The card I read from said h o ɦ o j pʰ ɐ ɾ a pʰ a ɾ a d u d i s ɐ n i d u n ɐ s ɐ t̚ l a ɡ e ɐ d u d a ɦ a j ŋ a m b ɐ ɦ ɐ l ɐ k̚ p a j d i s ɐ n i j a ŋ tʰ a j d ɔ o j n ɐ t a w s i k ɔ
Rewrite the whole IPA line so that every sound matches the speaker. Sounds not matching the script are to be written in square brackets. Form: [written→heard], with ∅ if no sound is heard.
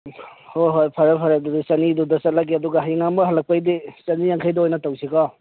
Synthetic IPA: h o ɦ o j pʰ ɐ ɾ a pʰ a ɾ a d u d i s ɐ n i d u [n→d] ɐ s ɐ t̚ l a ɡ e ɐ d u [d→ɡ] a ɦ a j ŋ a m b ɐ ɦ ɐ l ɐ k̚ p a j d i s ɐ n i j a ŋ [tʰ→kʰ] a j d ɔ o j n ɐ t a w s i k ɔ